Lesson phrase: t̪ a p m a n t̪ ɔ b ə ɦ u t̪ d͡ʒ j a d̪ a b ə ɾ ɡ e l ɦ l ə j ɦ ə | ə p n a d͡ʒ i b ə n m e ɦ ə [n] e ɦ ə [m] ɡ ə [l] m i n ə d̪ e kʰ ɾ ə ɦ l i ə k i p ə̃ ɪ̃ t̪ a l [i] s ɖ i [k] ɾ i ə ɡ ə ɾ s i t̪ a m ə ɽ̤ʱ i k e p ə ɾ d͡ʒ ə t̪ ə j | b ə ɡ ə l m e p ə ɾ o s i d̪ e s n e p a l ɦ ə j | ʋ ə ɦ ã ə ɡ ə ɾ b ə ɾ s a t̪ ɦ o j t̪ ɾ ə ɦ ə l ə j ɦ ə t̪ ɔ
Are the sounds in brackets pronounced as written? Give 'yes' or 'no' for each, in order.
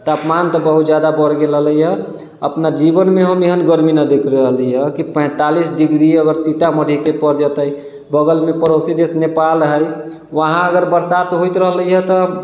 no, no, no, yes, no

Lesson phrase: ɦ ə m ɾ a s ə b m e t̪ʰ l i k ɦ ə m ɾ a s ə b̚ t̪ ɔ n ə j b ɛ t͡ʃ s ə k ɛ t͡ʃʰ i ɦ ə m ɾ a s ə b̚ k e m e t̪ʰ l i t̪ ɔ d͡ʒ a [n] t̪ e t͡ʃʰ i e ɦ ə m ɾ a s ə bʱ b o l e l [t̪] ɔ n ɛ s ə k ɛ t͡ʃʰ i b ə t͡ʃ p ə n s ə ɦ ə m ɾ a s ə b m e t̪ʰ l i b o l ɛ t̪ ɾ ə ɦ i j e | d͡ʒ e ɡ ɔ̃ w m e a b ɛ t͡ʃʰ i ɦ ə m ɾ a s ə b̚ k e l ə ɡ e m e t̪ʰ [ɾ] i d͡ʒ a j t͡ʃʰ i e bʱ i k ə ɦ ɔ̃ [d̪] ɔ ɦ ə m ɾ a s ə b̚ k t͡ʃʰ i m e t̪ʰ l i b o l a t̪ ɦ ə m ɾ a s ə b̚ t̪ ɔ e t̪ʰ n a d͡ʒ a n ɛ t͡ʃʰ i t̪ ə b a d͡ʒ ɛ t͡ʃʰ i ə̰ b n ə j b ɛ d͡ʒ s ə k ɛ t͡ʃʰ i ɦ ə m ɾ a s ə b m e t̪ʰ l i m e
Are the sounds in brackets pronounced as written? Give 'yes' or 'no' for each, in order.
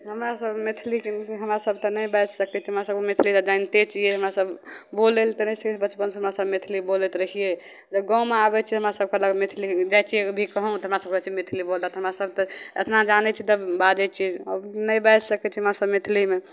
yes, yes, no, no

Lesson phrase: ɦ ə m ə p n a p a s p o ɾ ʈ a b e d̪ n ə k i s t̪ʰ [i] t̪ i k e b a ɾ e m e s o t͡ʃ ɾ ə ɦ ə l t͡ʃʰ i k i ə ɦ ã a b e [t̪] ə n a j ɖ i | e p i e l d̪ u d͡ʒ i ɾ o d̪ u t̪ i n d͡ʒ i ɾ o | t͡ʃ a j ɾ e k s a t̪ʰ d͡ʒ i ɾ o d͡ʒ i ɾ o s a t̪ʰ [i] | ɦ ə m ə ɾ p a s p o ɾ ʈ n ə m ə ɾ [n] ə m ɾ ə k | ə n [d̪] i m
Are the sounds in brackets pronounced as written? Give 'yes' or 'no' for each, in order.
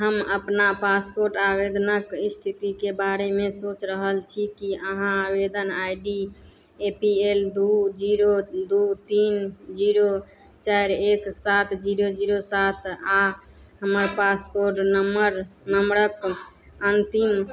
yes, no, no, yes, no

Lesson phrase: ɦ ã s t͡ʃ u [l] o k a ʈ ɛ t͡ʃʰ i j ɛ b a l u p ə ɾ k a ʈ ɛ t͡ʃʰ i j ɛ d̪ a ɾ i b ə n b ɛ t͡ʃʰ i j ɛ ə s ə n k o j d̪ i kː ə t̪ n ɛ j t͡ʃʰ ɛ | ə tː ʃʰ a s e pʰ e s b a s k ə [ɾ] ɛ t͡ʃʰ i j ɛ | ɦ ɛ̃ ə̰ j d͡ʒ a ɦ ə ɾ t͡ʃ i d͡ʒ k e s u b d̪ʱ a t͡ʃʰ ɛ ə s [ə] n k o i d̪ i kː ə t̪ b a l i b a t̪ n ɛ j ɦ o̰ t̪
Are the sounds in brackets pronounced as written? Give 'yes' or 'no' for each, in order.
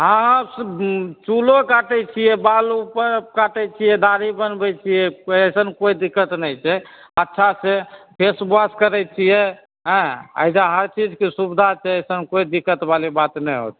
yes, yes, yes

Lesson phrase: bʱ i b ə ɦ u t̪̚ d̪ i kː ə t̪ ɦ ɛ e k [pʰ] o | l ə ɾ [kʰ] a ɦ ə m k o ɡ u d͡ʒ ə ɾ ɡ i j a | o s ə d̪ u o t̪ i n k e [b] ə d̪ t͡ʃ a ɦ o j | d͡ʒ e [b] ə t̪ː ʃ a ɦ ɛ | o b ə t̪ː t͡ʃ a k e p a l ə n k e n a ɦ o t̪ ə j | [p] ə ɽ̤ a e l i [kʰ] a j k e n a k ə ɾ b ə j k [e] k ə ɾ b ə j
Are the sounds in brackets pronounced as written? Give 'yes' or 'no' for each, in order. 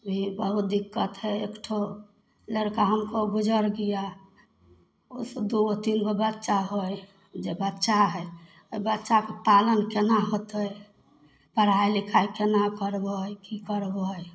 no, no, yes, yes, yes, yes, no

